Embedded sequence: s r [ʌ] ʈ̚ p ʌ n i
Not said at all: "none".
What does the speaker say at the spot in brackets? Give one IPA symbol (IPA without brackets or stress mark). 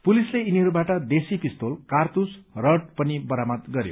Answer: ʌ